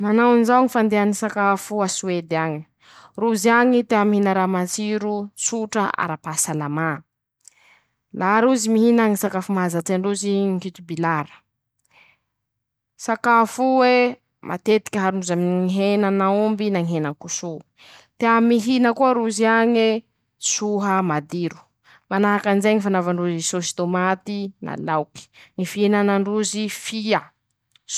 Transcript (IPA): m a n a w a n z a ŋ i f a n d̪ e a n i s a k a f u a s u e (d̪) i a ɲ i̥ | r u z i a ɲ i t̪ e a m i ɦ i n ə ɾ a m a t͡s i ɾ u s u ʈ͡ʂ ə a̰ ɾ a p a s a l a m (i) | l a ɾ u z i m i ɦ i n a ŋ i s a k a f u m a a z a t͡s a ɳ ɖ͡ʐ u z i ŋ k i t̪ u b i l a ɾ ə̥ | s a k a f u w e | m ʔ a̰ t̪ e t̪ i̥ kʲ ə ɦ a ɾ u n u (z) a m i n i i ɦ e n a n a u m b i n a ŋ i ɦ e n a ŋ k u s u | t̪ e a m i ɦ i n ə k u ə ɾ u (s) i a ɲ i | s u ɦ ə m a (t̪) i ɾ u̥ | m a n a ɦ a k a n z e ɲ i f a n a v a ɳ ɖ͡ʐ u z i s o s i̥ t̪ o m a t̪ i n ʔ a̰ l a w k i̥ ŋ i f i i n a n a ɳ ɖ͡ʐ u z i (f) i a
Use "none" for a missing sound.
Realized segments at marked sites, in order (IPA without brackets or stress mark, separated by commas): d̪, a, z, z, d̪, f